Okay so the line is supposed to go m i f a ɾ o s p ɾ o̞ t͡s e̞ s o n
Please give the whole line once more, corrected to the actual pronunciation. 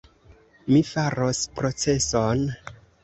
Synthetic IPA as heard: m i f a ɾ o s p ɾ o̞ t͡s e̞ s o n